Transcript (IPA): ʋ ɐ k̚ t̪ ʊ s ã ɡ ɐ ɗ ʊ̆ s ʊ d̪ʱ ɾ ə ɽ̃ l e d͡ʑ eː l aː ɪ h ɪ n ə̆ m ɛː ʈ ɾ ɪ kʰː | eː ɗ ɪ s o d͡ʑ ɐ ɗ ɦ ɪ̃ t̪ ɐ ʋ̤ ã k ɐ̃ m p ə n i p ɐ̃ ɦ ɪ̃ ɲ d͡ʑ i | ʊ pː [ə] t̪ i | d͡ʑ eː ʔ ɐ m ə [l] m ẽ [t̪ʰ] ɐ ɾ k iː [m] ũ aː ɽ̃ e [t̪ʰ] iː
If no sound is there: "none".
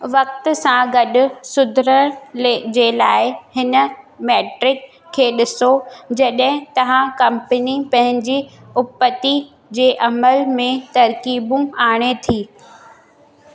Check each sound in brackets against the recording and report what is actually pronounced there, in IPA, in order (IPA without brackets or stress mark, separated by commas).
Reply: ə, l, t̪, b, t̪ʰ